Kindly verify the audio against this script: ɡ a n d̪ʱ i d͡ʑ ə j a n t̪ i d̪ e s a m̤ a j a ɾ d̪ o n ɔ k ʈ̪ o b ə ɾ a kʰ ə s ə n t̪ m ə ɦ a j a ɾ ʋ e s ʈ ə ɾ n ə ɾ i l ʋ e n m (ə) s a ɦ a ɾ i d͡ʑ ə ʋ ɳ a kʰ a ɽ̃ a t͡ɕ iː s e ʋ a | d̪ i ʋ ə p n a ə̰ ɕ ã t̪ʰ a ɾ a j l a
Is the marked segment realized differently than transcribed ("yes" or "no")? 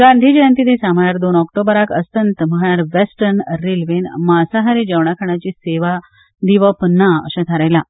yes